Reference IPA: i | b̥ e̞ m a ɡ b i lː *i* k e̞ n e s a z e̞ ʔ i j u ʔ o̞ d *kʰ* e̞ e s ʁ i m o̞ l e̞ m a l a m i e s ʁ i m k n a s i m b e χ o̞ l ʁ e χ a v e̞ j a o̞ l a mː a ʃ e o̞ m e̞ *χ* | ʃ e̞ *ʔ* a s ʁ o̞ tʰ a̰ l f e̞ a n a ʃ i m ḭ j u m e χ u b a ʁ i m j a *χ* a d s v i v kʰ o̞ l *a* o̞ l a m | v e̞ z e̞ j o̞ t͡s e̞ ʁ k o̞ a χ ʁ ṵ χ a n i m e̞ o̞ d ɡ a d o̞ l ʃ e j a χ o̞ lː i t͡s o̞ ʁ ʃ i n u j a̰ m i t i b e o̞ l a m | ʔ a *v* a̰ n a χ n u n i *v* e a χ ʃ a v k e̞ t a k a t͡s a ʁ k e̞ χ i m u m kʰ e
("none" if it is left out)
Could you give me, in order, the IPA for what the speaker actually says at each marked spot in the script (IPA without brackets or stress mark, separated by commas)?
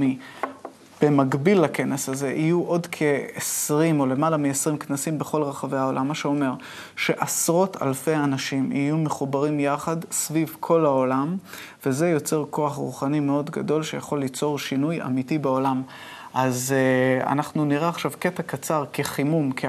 a, kʰ, ʁ, ʔ, χ, a, z, ʁ